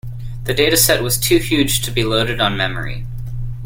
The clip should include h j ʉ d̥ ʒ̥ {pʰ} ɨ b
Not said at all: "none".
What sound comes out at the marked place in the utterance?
tʰ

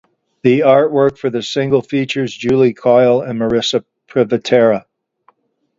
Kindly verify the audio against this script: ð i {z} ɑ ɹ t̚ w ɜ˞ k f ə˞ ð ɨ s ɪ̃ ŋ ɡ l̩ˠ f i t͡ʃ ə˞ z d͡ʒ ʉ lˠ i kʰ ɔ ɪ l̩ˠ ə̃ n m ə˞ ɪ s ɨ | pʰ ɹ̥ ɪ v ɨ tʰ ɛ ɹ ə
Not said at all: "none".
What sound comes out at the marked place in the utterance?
none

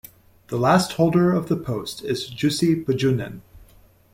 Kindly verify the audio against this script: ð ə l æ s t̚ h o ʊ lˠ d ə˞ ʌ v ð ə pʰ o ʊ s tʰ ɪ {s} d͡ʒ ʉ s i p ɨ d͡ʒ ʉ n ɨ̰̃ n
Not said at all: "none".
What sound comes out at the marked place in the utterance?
z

